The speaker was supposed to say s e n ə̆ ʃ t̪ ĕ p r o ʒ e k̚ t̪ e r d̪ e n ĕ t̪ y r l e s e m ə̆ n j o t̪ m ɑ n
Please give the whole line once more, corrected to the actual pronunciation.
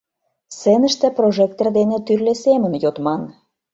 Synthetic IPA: s e n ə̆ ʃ t̪ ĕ p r o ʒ e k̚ t̪ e r d̪ e n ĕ t̪ y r l e s e m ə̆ n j o t̪ m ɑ n